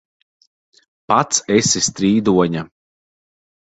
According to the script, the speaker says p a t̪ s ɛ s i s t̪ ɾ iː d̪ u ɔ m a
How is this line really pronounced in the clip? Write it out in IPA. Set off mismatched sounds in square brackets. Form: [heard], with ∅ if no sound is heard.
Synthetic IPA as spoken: p a t̪ s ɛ s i s t̪ ɾ iː d̪ u ɔ [ɲ] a